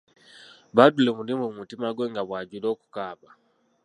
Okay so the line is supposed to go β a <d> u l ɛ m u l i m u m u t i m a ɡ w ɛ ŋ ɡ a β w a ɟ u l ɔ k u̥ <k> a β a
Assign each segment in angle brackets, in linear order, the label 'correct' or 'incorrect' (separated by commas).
correct, correct